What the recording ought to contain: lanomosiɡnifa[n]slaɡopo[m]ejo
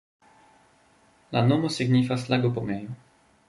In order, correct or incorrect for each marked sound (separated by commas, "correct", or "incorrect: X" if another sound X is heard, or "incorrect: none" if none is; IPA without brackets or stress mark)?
incorrect: none, correct